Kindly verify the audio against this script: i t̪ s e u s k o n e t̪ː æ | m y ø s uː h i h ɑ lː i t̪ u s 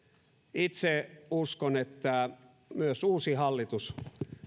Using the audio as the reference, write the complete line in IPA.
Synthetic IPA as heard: i t̪ s e u s k o n e t̪ː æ | m y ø s uː s i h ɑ lː i t̪ u s